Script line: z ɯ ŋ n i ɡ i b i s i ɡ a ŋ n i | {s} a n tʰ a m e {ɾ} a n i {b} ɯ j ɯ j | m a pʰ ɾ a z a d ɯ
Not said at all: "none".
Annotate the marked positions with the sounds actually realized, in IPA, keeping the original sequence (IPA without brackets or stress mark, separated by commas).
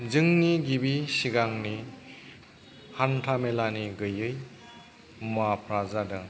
h, l, ɡ